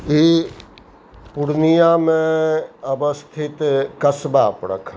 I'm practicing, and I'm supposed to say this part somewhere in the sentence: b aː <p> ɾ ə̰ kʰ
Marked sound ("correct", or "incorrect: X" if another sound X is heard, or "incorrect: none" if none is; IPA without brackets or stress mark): correct